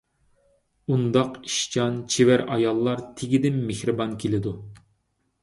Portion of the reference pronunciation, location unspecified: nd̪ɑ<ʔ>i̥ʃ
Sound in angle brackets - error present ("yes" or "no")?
yes